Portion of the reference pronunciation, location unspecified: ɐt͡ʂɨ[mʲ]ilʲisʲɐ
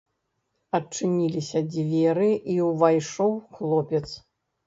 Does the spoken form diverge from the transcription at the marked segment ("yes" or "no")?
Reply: yes